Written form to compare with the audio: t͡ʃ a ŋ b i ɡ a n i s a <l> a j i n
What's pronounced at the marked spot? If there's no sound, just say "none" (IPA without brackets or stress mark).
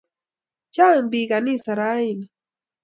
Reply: ɾ